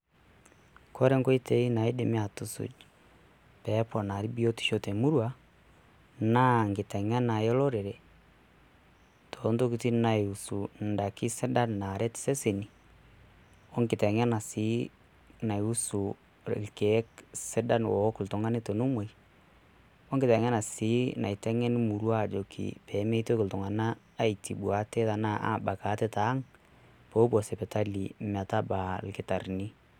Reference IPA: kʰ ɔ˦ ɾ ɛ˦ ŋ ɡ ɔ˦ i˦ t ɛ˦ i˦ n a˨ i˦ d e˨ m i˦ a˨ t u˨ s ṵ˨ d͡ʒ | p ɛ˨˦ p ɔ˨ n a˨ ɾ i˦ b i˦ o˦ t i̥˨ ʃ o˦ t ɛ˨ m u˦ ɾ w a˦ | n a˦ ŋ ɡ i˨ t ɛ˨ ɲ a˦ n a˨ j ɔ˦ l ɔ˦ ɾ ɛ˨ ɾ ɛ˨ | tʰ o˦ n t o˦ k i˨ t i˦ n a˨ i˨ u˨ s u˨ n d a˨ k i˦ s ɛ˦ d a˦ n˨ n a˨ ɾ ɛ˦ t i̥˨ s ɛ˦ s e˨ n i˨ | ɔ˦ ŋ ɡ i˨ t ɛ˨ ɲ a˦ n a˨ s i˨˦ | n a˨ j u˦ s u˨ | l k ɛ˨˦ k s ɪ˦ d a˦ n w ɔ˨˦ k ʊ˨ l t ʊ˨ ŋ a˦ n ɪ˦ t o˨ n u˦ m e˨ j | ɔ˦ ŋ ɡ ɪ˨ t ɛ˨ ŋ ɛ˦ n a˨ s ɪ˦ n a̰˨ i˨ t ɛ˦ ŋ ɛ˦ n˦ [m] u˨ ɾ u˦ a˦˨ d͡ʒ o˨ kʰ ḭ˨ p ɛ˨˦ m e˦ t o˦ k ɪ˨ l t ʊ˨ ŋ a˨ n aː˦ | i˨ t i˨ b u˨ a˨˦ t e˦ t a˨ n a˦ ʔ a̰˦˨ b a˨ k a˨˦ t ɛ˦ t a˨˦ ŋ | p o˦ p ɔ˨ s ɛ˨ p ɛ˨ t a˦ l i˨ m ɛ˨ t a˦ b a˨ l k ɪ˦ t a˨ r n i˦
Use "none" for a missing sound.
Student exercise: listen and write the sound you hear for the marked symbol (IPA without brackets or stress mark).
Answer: m